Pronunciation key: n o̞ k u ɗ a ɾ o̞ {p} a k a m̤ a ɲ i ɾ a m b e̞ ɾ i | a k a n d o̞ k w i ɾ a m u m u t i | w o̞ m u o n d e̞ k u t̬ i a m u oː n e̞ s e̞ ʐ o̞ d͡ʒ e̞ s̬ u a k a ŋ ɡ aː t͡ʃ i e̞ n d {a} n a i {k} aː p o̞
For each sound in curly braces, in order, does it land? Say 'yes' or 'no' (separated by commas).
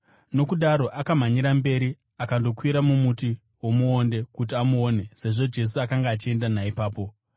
no, yes, no